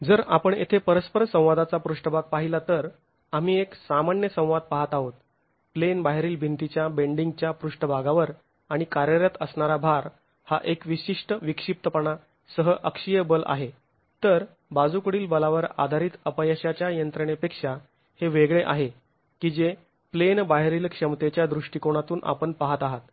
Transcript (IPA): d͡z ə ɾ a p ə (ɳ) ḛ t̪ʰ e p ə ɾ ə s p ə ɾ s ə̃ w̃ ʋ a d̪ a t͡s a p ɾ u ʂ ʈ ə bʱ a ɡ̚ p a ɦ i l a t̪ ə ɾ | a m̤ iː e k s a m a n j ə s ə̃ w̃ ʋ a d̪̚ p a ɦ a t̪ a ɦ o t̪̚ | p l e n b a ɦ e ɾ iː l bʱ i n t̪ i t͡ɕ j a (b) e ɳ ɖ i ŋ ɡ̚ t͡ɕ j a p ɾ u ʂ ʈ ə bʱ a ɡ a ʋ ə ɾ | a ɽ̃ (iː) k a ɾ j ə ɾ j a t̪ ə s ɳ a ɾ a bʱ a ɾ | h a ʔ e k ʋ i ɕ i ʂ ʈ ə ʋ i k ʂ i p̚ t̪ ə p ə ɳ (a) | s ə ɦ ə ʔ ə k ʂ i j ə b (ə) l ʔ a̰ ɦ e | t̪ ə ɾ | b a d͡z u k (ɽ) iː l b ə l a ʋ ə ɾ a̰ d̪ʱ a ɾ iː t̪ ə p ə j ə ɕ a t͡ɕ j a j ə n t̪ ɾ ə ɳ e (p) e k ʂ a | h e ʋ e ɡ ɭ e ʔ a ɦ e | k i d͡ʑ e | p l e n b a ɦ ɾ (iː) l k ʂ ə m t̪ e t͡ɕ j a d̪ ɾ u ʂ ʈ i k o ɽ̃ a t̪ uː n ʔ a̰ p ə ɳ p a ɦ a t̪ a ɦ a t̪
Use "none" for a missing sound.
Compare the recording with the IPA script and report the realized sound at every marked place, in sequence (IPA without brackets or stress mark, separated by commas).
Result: ɳ, b, i, a, ə, ɽ, p, iː